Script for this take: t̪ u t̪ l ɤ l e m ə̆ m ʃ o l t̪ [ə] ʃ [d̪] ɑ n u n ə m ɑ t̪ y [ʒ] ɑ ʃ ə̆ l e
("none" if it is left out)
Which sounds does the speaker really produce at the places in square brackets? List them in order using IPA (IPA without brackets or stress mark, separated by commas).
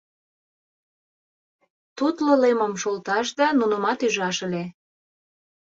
ɑ, d̪, ʒ